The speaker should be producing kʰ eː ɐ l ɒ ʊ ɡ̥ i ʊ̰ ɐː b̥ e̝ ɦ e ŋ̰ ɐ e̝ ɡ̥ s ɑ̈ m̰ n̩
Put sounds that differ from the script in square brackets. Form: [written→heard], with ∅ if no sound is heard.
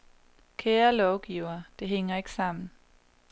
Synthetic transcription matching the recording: kʰ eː ɐ l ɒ ʊ ɡ̥ i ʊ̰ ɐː [b̥→d̥] e̝ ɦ e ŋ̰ ɐ e̝ ɡ̥ s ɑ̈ m̰ n̩